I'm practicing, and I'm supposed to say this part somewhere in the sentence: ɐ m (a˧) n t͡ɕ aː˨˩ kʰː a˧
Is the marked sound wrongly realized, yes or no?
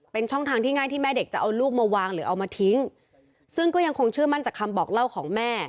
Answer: yes